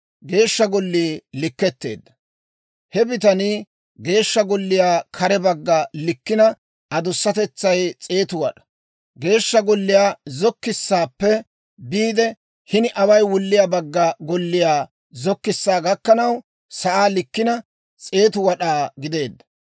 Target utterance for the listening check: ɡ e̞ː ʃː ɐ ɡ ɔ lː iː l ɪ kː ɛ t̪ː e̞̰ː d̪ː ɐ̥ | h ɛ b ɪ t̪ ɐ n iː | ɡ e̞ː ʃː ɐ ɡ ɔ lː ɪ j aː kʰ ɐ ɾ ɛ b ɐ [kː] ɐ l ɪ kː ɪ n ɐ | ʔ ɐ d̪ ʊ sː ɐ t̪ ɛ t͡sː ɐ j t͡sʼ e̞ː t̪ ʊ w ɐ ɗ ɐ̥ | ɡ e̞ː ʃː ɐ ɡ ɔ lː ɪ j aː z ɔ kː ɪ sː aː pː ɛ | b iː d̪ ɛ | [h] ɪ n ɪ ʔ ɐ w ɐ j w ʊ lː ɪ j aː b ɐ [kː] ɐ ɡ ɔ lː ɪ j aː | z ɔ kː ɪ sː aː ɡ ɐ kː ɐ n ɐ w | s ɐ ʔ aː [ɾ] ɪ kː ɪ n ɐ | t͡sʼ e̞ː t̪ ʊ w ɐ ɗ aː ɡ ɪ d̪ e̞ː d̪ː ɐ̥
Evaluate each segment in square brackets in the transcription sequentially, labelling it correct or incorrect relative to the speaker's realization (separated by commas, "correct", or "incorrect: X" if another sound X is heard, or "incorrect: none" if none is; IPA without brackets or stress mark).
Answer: incorrect: ɡː, correct, incorrect: ɡː, incorrect: l